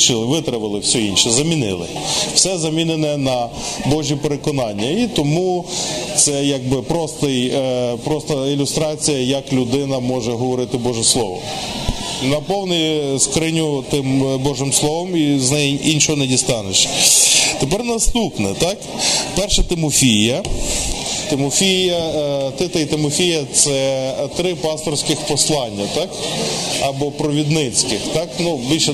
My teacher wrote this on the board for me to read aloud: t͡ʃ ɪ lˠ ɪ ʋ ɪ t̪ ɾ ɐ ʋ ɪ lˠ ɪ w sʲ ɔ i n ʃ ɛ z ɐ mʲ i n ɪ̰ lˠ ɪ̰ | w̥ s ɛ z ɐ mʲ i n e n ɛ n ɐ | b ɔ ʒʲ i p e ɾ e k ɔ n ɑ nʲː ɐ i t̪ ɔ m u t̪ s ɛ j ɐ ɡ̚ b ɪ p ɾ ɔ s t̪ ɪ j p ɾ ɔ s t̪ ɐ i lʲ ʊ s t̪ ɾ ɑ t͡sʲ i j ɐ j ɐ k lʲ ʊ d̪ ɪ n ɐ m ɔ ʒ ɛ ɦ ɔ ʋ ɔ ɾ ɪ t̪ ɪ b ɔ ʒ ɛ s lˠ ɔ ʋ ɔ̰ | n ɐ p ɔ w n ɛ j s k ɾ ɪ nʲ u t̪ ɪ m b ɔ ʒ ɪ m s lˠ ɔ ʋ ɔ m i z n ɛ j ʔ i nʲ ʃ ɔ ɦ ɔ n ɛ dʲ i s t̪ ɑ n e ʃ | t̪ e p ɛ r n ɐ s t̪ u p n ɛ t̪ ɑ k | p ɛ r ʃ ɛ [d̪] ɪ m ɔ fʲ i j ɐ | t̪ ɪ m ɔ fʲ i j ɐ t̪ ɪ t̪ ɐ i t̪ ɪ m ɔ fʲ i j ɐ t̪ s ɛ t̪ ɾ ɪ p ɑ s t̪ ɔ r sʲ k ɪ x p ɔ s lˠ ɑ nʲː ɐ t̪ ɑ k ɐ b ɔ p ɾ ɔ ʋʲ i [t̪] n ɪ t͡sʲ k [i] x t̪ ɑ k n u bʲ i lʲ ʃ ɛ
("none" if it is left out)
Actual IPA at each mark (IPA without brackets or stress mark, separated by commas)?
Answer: t̪, d̪, ɪ